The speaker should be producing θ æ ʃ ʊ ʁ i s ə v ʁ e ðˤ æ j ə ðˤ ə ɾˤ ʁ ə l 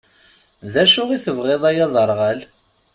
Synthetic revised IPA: ð æ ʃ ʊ ʁ i θ ə v ʁ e ðˤ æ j ɑ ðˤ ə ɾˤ ʁ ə l